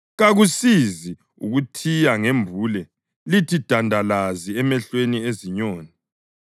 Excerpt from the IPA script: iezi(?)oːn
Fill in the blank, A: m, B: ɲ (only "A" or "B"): B